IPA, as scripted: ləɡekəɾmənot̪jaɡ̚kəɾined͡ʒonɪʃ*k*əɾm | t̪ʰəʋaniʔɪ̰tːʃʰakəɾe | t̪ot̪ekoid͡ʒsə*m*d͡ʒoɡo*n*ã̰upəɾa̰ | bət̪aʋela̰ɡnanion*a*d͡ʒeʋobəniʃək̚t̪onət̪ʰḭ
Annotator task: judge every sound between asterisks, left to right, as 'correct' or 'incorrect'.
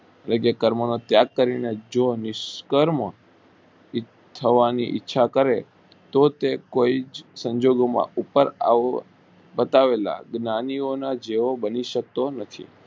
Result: correct, incorrect, incorrect, correct

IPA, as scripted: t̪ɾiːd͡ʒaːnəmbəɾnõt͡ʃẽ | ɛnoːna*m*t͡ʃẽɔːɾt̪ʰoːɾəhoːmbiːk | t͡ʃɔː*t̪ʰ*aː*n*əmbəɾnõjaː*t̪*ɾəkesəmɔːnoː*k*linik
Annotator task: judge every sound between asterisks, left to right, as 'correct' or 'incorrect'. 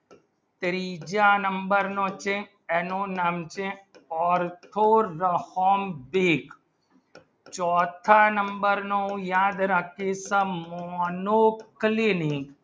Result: correct, correct, correct, incorrect, correct

